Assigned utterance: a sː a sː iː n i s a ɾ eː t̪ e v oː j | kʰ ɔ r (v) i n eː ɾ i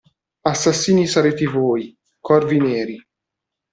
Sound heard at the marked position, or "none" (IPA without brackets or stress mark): v